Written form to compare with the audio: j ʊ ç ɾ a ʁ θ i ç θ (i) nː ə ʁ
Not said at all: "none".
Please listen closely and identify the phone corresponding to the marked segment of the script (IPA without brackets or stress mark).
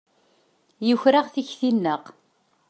i